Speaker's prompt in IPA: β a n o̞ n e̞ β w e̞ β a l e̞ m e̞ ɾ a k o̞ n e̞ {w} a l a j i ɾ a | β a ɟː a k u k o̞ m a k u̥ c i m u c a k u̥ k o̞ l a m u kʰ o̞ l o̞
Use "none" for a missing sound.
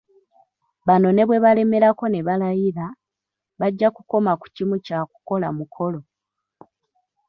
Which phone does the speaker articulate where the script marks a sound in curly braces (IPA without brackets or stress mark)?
β